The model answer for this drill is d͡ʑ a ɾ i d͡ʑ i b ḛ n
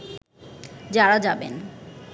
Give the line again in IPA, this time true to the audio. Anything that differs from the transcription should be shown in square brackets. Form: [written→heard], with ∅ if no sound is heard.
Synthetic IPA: d͡ʑ a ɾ [i→a] d͡ʑ [i→a] b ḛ n